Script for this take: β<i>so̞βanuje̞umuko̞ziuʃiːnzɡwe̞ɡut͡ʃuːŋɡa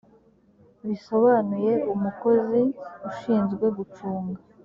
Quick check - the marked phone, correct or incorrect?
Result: correct